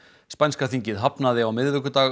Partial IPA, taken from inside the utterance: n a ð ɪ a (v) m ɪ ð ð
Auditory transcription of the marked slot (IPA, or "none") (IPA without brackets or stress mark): w